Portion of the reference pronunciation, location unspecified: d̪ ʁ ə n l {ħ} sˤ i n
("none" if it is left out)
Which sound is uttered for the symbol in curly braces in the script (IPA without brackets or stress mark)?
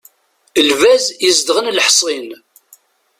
ħ